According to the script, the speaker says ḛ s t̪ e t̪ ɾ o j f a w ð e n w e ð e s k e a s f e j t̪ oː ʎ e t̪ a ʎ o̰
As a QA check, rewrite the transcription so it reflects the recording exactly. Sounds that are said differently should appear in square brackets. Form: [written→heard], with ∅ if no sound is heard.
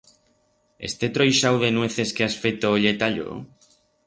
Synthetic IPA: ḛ s t̪ e t̪ ɾ o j [f→ʃ] a w ð e n w e [ð→θ] e s k e a s f e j t̪ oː ʎ e t̪ a ʎ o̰